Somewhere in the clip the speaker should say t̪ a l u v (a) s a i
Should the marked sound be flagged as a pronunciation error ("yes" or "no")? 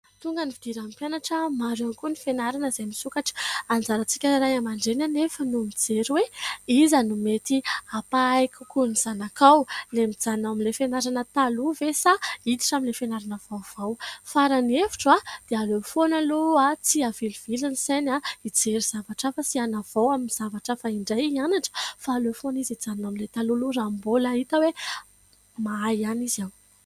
yes